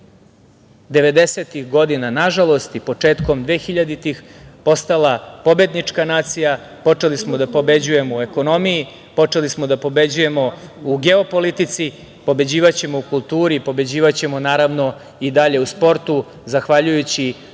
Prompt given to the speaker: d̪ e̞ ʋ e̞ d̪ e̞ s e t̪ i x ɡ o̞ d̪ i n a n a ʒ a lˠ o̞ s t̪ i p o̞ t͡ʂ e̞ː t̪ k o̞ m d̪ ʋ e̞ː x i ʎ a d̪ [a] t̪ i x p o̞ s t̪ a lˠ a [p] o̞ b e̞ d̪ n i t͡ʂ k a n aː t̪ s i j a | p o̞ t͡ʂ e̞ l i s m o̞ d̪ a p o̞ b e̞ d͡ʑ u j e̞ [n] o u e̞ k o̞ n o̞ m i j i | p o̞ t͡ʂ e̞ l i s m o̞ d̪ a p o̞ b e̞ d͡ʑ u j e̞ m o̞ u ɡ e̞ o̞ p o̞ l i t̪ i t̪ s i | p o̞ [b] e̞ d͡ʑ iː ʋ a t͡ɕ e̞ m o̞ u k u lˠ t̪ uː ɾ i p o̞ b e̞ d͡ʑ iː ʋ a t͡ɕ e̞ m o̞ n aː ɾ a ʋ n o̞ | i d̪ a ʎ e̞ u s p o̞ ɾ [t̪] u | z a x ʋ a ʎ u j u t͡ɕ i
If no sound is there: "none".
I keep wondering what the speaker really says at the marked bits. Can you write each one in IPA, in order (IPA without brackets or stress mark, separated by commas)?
i, p, m, b, t̪